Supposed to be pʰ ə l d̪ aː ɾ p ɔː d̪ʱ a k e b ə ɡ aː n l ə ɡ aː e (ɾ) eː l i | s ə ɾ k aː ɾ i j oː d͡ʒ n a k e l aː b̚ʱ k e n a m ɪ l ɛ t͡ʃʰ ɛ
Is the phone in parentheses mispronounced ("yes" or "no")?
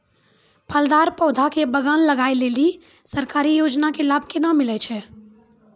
yes